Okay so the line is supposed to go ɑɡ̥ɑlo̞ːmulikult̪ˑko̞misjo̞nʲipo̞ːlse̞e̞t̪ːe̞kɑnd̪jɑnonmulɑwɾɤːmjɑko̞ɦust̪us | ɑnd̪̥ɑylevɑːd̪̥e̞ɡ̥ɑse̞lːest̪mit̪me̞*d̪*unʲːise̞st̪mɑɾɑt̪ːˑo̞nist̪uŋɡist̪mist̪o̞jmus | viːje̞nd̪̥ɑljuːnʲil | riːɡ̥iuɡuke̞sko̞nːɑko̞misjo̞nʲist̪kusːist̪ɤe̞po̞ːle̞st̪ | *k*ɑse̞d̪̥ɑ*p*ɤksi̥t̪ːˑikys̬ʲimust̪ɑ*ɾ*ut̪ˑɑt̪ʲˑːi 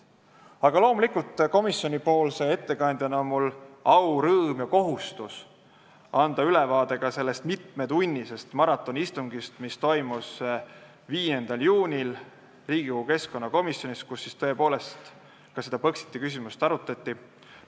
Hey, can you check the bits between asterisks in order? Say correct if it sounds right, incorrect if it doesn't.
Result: correct, correct, correct, correct

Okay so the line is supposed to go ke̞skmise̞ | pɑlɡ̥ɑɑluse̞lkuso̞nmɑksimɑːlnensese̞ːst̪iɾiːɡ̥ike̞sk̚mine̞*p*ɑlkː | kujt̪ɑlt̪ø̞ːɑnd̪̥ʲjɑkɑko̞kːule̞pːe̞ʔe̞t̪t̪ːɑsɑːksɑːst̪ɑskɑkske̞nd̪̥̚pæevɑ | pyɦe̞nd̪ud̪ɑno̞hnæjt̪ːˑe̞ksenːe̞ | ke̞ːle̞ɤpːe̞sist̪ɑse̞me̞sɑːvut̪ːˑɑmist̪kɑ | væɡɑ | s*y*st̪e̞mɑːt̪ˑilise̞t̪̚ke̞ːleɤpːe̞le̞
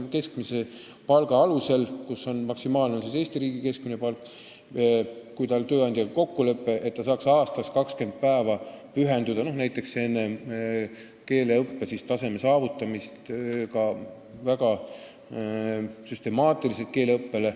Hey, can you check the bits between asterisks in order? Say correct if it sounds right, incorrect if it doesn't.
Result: correct, correct

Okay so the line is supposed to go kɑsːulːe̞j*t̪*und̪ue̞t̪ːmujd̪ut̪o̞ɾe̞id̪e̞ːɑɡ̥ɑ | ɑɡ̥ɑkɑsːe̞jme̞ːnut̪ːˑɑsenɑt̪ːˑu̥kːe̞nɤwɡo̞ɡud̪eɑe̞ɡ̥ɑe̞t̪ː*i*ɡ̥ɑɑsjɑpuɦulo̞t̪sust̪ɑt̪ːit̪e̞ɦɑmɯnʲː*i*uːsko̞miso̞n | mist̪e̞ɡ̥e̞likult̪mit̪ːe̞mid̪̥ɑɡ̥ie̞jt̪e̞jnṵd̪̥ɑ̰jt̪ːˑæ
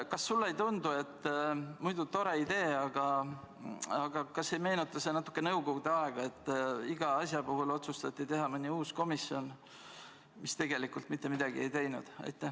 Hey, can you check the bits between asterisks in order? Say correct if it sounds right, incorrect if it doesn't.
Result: correct, correct, correct

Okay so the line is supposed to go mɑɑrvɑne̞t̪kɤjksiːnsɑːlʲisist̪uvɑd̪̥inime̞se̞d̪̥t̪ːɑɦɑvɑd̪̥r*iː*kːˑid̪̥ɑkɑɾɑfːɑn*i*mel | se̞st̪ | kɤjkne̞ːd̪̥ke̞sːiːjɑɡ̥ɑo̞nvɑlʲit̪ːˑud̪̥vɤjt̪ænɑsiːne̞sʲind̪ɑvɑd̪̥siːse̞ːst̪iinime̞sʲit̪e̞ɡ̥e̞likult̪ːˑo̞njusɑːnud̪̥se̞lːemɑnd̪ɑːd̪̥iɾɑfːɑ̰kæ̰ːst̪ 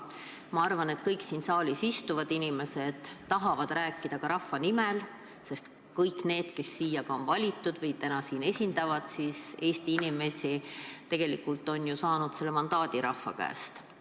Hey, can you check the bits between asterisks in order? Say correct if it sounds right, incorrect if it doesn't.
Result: incorrect, correct

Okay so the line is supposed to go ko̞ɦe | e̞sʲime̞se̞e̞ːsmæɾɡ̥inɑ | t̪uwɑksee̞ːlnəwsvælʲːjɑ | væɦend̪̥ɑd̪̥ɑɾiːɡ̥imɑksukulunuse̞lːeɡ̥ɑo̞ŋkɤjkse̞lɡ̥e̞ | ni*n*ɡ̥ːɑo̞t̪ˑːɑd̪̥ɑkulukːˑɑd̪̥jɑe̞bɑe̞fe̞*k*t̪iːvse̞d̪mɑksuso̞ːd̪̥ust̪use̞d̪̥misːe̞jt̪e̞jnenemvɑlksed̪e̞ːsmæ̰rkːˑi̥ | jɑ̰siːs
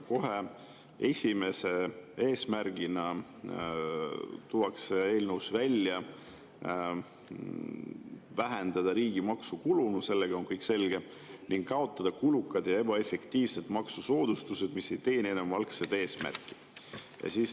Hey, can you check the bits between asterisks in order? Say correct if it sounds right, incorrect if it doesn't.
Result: incorrect, correct

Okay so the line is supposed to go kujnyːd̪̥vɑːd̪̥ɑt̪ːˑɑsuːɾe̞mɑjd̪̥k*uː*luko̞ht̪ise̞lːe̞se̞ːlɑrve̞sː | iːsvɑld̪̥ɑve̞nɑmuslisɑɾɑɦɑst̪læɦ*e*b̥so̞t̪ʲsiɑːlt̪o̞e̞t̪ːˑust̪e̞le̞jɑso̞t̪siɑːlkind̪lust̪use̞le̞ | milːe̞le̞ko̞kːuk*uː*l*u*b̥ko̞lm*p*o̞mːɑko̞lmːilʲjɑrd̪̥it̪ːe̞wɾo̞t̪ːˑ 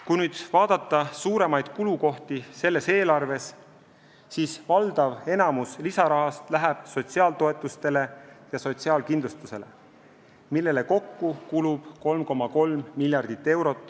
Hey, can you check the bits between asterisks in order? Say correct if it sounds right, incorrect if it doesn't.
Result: incorrect, incorrect, incorrect, correct, incorrect

